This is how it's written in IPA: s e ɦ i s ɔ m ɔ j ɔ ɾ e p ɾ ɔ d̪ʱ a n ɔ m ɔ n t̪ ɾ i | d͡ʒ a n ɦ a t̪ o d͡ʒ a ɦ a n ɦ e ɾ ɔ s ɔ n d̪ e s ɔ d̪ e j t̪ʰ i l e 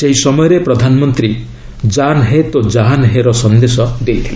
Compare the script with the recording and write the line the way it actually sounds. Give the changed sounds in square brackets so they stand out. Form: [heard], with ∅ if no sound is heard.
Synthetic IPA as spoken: s e ɦ i s ɔ m ɔ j ɔ ɾ e p ɾ ɔ d̪ʱ a n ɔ m ɔ n t̪ ɾ i | d͡ʒ a n ɦ [e] t̪ o d͡ʒ a ɦ a n ɦ e ɾ ɔ s ɔ n d̪ e s ɔ d̪ e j t̪ʰ i l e